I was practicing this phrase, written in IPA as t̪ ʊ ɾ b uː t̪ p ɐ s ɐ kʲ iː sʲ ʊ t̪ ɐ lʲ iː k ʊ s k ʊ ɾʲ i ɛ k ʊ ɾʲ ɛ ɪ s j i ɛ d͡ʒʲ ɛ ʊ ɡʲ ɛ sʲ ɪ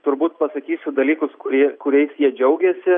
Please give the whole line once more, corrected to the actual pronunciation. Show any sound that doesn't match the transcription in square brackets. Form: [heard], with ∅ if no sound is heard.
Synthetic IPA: t̪ ʊ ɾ b uː t̪ p ɐ s ɐ kʲ iː sʲ ʊ [d̪] ɐ lʲ iː k ʊ s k ʊ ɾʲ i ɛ k ʊ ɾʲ ɛ ɪ s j i ɛ d͡ʒʲ ɛ ʊ ɡʲ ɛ sʲ ɪ